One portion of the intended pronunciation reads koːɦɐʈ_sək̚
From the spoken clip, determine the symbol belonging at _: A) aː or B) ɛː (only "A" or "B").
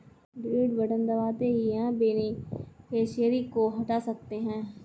A